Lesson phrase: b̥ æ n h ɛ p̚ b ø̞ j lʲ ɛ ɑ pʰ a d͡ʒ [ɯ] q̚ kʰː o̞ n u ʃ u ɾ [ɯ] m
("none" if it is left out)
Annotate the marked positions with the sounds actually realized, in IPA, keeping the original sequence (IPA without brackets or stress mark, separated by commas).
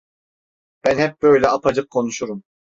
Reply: ɯ, u